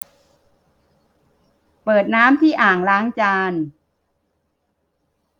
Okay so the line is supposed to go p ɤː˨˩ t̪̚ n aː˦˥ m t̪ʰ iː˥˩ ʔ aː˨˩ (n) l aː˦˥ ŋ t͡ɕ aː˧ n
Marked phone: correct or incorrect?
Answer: incorrect: ŋ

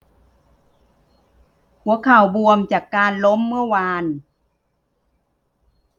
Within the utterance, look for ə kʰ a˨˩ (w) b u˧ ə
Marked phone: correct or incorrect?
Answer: correct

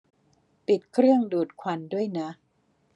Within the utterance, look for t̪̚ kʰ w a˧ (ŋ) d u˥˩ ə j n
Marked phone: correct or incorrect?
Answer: incorrect: n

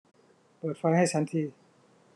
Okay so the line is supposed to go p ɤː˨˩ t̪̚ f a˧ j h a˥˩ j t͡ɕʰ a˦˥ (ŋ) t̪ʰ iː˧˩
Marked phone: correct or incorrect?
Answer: incorrect: n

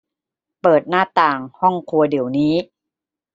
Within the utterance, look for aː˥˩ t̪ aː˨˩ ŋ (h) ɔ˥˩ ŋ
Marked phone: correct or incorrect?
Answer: correct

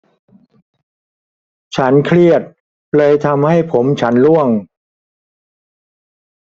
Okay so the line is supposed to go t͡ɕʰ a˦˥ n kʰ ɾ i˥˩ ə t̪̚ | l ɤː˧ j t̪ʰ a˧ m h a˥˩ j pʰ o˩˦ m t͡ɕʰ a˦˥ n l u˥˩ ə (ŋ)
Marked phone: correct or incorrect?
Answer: correct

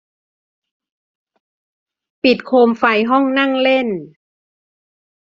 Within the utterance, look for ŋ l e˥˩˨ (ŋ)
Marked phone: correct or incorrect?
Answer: incorrect: n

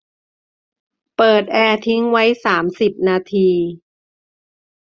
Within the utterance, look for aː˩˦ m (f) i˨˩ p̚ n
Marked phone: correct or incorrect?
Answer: incorrect: s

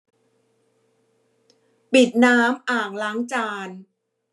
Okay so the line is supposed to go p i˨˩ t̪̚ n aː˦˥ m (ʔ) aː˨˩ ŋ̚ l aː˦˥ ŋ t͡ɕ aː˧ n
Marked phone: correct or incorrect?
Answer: correct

